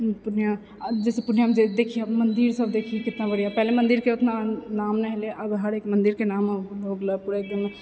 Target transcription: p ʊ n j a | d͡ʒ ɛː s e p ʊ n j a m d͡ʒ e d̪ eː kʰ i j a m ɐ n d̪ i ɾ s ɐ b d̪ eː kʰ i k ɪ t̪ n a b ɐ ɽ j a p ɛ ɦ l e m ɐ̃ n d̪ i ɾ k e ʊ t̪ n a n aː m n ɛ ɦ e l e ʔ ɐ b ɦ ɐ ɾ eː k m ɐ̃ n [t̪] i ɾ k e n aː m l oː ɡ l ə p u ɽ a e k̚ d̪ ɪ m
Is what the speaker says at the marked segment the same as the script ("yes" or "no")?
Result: no